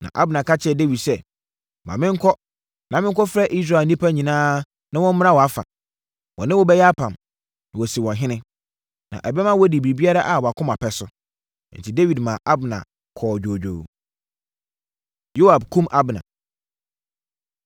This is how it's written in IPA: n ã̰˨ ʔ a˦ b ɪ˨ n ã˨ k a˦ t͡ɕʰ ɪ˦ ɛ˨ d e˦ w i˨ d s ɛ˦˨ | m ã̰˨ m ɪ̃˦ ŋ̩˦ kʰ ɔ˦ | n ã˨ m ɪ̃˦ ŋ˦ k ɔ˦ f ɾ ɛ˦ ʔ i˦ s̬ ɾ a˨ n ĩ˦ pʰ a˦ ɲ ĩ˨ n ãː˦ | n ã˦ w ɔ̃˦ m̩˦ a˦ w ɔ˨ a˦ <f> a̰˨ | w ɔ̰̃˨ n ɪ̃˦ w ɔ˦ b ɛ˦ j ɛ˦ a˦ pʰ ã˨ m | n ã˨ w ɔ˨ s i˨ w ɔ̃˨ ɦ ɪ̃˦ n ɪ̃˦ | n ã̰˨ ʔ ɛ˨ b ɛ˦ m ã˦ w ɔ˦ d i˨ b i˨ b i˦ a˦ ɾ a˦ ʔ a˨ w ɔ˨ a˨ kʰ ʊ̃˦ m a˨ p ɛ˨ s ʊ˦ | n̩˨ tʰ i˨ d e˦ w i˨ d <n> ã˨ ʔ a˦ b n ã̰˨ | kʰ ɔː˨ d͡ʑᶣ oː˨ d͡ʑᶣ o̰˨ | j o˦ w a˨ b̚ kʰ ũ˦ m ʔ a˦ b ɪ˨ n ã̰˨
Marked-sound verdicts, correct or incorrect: correct, incorrect: m

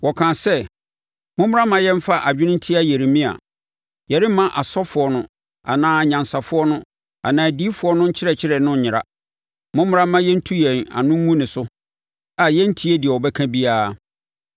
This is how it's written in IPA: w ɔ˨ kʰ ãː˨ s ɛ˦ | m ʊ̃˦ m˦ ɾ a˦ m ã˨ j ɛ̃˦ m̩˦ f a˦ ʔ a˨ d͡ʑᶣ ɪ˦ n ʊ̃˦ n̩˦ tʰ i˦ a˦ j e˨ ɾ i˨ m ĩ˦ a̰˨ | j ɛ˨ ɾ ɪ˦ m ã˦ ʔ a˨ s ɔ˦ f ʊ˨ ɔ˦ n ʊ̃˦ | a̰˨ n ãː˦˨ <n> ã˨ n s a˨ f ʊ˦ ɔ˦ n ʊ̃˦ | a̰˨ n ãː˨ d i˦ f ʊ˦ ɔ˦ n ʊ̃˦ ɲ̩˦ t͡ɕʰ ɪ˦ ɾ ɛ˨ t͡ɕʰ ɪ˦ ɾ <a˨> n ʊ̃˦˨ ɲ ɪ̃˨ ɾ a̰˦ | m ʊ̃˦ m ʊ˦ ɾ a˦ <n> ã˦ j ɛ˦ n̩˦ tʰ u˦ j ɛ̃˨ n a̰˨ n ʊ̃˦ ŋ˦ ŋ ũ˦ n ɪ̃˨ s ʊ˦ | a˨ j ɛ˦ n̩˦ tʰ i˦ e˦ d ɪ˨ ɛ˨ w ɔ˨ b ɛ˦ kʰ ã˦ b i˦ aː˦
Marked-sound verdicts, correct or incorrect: incorrect: ɲ, incorrect: ɛ˨, incorrect: m

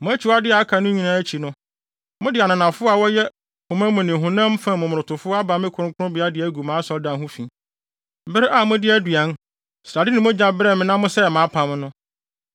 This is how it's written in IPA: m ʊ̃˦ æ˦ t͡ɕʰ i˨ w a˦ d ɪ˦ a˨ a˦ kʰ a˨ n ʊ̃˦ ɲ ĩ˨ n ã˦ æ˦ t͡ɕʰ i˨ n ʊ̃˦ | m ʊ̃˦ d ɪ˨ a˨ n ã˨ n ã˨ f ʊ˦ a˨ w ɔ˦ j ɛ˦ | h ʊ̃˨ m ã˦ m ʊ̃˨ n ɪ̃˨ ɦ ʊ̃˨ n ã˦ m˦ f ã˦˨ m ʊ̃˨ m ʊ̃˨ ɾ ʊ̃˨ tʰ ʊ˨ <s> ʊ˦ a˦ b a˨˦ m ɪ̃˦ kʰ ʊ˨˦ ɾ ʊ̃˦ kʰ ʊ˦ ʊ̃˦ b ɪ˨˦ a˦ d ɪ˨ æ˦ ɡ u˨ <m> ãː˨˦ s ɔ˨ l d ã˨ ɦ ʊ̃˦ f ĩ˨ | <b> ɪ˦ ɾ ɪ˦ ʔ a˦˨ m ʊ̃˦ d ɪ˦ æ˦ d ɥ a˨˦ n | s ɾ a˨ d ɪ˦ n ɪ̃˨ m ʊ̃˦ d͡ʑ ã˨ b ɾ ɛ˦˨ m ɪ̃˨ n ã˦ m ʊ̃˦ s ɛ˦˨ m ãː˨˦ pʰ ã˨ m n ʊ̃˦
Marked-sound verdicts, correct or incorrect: incorrect: f, correct, correct

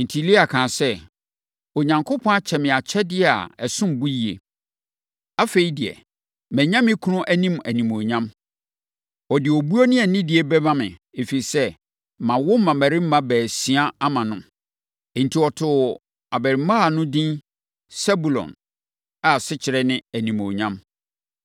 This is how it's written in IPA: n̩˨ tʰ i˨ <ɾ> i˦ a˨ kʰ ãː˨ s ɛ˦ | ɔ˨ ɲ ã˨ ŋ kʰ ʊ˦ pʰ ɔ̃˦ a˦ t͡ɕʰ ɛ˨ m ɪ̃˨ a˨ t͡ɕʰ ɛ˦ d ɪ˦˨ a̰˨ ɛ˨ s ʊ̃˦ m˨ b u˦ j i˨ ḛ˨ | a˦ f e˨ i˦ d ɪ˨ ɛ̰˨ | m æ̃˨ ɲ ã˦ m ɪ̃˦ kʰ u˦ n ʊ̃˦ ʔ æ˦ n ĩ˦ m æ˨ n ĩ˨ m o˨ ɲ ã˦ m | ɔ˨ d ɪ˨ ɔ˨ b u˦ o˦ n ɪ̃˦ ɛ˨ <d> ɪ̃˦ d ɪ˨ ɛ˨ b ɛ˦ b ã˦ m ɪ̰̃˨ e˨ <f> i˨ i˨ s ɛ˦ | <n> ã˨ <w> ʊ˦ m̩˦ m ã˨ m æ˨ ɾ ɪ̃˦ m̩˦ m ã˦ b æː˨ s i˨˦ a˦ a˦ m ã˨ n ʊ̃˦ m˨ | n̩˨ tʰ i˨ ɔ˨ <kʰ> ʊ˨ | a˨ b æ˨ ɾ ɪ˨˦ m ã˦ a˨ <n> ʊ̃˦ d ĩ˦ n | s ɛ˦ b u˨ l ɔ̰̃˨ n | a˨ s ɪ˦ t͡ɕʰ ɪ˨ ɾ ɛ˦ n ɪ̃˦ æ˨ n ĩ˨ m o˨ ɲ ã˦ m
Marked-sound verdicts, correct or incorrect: incorrect: l, incorrect: n, correct, incorrect: m, correct, incorrect: tʰ, correct

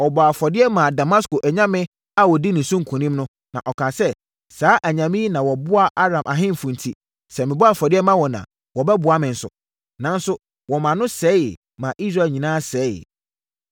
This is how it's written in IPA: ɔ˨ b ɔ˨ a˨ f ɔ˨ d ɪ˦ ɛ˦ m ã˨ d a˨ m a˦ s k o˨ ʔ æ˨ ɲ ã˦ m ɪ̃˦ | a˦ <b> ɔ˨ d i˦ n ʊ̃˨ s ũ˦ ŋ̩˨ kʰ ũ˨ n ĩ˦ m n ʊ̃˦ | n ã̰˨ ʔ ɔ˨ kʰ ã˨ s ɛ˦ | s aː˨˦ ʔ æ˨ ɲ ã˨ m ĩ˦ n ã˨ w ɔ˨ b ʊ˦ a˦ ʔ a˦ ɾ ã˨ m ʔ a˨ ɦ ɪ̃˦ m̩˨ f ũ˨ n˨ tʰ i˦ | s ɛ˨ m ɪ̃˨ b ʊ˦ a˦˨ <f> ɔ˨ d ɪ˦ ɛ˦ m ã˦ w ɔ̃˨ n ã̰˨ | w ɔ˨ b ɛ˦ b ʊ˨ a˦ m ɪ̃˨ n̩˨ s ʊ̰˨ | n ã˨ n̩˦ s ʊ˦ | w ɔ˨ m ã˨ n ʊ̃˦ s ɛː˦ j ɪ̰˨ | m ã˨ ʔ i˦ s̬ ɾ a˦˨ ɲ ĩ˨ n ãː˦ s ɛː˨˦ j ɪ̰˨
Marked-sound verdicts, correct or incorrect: incorrect: w, correct

